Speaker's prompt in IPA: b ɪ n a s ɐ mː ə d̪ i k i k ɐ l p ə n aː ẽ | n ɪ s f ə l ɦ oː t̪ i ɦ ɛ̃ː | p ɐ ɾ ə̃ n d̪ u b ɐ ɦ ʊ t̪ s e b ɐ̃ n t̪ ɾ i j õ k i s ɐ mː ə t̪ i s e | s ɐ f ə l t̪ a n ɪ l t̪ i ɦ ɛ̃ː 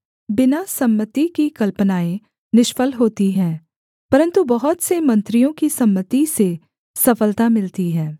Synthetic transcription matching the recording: b ɪ n a s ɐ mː ə t̪ i k i k ɐ l p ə n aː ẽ | n ɪ ʃ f ə l ɦ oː t̪ i ɦ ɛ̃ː | p ɐ ɾ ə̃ n t̪ u b ɐ ɦ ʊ t̪ s e m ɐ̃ n t̪ ɾ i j õ k i s ɐ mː ə t̪ i s e | s ɐ f ə l t̪ a m ɪ l t̪ i ɦ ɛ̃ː